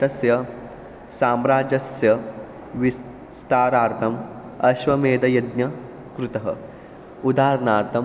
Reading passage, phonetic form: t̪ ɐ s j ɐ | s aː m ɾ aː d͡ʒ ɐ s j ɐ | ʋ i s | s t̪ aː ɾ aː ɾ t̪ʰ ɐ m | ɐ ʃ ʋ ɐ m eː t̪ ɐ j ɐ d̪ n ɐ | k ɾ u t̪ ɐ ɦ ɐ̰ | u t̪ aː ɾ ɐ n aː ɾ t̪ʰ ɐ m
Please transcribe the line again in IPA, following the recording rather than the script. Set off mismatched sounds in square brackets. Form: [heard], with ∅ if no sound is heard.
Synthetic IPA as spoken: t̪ ɐ s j ɐ | s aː m ɾ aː d͡ʒ ɐ s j ɐ | ʋ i s | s t̪ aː ɾ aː ɾ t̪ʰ ɐ m | ɐ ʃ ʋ ɐ m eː [d̪] ɐ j ɐ d̪ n ɐ | k ɾ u t̪ ɐ ɦ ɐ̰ | u [d̪] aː ɾ ɐ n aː ɾ t̪ʰ ɐ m